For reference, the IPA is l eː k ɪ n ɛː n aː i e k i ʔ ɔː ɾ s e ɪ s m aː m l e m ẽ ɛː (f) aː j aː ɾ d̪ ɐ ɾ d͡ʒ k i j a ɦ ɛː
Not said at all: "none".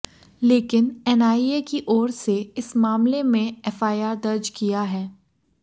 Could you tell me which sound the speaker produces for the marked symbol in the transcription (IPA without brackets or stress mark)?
f